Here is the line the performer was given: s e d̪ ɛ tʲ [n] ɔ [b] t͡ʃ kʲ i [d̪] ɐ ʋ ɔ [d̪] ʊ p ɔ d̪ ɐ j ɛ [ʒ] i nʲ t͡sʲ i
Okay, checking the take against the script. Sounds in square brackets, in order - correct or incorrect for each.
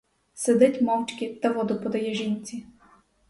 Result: incorrect, incorrect, incorrect, correct, correct

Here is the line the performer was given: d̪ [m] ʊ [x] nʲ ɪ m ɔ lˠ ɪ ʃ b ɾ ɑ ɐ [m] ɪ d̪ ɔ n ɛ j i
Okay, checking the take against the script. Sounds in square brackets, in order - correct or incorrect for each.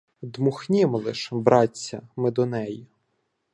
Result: correct, correct, correct

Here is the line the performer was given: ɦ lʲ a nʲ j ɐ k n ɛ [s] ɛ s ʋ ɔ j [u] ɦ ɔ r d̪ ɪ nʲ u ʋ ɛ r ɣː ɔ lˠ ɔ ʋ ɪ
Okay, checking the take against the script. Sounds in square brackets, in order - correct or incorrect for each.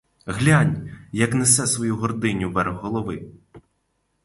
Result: correct, correct

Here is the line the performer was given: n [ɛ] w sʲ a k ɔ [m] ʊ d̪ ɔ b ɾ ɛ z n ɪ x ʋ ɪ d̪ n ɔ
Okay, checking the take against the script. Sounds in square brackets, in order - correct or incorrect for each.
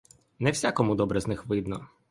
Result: correct, correct

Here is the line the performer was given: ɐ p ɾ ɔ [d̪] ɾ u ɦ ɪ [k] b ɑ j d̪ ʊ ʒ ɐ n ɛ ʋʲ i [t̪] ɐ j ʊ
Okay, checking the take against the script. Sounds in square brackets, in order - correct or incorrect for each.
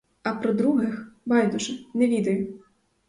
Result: correct, incorrect, incorrect

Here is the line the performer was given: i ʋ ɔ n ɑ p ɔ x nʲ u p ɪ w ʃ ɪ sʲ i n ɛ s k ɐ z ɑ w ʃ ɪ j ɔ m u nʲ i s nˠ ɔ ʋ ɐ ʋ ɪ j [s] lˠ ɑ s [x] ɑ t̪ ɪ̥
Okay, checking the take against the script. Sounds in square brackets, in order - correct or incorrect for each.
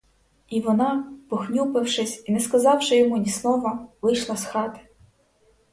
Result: incorrect, correct

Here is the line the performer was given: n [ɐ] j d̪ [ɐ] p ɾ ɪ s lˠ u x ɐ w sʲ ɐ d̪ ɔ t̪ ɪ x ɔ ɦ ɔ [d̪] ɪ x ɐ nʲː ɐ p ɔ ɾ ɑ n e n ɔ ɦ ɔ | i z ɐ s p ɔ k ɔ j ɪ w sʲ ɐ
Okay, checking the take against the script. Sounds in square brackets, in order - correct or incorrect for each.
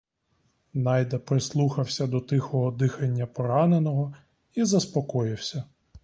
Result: incorrect, correct, correct

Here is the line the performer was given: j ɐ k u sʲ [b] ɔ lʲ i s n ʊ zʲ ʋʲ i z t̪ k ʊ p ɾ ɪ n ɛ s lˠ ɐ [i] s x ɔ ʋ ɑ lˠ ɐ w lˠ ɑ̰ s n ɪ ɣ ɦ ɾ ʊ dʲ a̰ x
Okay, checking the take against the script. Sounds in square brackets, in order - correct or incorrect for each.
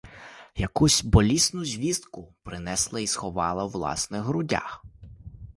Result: correct, correct

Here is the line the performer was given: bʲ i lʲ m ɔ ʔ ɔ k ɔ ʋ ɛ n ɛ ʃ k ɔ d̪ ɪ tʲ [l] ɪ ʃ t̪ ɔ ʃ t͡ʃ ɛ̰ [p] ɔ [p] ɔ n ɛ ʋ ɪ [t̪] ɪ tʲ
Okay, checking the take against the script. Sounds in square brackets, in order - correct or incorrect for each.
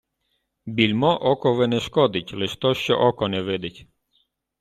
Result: correct, incorrect, incorrect, incorrect

